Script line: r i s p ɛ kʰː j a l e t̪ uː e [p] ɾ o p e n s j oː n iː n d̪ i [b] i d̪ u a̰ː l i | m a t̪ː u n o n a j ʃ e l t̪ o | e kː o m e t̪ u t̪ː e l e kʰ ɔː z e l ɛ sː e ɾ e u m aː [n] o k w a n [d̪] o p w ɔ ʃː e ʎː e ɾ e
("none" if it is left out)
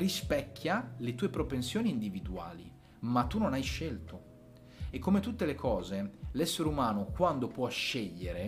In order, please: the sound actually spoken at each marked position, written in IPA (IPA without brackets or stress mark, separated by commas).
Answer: p, v, n, d̪